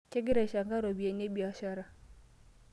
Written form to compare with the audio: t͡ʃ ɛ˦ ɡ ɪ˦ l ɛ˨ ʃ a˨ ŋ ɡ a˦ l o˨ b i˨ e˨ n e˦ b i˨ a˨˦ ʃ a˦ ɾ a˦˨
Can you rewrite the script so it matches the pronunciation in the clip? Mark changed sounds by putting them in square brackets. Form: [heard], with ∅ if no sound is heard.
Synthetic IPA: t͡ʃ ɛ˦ ɡ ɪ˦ [ɾ] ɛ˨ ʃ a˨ ŋ ɡ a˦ [ɾ] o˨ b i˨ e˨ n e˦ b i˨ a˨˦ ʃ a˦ ɾ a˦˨